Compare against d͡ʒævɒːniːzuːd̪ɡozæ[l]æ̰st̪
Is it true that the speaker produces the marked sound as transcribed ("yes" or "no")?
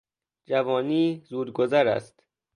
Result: no